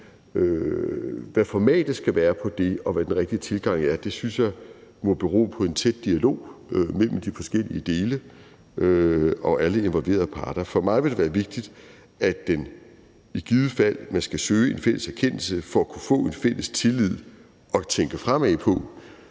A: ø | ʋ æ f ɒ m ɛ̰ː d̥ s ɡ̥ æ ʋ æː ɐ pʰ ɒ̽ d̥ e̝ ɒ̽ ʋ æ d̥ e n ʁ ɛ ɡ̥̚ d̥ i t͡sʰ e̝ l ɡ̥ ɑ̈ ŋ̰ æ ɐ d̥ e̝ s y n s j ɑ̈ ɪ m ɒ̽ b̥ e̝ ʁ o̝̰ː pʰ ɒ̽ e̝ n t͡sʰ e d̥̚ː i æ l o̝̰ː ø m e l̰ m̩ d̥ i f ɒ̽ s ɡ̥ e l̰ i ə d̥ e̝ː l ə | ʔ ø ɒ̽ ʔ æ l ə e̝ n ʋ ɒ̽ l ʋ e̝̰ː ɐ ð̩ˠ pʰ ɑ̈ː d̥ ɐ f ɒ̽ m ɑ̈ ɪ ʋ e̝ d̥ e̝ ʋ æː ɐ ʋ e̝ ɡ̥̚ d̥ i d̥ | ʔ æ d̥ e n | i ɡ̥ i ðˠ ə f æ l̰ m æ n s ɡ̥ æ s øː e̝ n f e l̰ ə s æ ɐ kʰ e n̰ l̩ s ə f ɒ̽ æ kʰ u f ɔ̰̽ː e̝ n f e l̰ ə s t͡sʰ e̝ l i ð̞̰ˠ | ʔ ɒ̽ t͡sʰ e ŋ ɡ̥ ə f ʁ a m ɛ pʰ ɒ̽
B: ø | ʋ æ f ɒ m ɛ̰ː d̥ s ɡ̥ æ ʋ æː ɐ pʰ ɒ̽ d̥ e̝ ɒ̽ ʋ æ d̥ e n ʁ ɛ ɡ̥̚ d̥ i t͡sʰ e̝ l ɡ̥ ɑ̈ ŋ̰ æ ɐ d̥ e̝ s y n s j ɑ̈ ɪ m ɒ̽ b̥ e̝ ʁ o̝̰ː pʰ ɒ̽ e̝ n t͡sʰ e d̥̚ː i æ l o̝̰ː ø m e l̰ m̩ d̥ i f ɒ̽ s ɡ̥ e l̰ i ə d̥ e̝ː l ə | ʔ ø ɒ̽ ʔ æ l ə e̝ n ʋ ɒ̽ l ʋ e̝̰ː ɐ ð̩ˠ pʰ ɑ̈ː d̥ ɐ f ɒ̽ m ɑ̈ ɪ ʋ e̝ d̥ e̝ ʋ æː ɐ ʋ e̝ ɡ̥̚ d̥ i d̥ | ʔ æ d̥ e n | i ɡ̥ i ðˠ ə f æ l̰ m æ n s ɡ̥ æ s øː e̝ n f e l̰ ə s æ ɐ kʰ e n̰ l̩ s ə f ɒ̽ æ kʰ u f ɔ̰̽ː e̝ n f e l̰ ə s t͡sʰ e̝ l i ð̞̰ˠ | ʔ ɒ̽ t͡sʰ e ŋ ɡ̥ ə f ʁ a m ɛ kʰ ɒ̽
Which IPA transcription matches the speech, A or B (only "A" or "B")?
A